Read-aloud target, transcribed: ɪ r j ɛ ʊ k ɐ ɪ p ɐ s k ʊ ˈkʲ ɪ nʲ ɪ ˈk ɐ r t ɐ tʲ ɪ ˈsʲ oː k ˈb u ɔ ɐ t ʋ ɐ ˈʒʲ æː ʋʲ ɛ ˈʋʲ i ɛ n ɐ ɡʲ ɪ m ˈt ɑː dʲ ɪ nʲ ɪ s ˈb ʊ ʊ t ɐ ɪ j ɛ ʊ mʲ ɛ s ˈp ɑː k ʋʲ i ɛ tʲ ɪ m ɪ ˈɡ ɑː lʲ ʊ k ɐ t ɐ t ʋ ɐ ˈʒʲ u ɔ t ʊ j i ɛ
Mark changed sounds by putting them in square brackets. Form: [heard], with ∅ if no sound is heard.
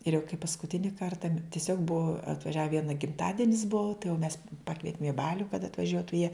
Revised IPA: ɪ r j ɛ ʊ k ɐ ɪ p ɐ s k ʊ [ˈtʲ] ɪ nʲ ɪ ˈk ɐ r t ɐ tʲ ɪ ˈsʲ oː k ˈb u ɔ ɐ t ʋ ɐ ˈʒʲ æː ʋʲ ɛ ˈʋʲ i ɛ n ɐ ɡʲ ɪ m ˈt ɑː dʲ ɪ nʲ ɪ s ˈb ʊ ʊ t ɐ ɪ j ɛ ʊ mʲ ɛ s ˈp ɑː k ʋʲ i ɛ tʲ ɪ m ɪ [ˈb] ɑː lʲ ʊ k ɐ t ɐ t ʋ ɐ ˈʒʲ u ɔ t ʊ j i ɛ